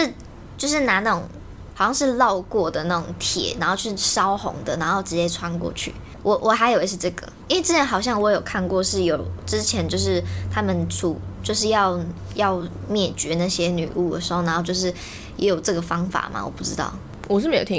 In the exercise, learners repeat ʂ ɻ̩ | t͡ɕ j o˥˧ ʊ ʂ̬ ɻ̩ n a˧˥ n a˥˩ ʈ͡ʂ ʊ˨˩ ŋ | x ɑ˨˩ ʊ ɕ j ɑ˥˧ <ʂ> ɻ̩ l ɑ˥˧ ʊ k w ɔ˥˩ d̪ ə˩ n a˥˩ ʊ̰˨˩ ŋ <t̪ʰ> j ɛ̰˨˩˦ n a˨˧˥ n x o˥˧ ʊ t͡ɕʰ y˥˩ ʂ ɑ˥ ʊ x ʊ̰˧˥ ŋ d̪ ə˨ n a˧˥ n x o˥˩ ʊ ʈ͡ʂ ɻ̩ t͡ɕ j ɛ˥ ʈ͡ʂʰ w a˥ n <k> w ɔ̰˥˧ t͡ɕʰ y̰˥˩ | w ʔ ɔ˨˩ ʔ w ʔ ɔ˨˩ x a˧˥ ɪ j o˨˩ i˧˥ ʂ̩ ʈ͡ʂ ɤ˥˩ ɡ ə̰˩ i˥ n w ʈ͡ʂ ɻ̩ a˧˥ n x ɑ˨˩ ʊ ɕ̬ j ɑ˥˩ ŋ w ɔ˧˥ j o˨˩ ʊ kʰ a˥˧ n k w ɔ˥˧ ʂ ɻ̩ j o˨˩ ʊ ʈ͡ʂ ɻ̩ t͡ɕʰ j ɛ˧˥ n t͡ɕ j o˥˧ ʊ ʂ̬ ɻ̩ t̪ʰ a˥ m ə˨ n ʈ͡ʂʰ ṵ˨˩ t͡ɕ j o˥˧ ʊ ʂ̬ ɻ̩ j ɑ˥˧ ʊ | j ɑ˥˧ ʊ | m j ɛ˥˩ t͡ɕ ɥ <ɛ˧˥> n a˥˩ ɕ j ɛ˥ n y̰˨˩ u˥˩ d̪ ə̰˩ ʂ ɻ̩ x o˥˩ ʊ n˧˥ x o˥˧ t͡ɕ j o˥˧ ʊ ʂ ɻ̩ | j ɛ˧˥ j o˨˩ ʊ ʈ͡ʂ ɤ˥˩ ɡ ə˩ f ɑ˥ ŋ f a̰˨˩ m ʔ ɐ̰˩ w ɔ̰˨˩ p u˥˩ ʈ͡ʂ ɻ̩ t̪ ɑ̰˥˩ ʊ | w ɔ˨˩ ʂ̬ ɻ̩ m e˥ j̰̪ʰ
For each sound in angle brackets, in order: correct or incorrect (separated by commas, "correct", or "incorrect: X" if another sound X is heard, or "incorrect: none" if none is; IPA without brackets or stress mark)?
correct, correct, correct, correct